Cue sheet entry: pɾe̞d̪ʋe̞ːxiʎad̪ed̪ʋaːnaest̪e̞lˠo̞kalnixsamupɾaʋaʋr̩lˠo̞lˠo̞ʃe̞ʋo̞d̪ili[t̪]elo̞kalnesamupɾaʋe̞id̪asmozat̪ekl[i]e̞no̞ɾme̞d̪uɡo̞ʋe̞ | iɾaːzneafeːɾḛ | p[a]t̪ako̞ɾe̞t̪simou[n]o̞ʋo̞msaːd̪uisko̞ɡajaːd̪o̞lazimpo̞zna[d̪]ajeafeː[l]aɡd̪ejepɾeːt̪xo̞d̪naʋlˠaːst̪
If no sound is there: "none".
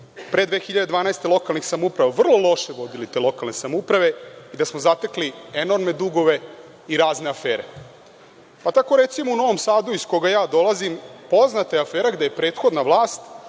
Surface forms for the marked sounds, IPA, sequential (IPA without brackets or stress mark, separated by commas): t̪, i, a, n, t̪, ɾ